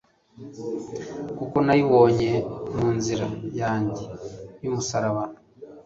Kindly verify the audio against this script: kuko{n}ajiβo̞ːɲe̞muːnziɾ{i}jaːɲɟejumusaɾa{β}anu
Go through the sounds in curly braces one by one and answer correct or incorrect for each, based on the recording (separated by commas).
correct, incorrect, correct